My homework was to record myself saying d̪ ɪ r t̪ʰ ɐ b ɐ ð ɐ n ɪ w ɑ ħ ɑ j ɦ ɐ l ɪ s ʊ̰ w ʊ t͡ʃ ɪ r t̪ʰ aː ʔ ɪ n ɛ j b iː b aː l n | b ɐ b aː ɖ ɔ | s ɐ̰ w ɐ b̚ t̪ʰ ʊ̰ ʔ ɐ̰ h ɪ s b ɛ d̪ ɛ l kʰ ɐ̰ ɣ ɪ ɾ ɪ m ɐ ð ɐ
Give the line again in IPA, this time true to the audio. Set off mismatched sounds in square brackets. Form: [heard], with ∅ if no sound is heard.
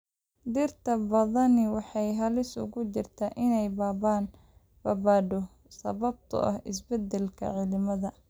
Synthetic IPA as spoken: d̪ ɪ r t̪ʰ ɐ b ɐ ð ɐ n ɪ w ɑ ħ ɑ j ɦ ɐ l ɪ s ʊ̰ [ɣ] ʊ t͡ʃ ɪ r t̪ʰ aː ʔ ɪ n ɛ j b [aː] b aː [∅] n | b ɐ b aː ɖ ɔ | s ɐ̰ [β] ɐ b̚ t̪ʰ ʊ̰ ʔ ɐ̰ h ɪ s b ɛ d̪ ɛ l kʰ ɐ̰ [ʕ] ɪ [l] ɪ m ɐ ð ɐ